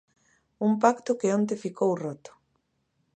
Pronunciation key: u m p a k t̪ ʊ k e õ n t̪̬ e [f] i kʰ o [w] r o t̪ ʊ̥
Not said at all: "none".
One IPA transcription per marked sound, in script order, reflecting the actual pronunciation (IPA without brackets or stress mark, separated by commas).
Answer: f, w